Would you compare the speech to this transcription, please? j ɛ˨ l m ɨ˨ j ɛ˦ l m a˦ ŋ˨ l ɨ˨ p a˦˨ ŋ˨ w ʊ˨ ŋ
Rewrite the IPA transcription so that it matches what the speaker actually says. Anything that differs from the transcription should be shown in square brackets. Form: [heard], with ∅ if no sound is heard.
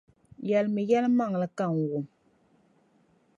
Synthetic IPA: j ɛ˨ l m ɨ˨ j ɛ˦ l m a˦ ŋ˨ l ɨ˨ [k] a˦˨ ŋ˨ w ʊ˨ [m]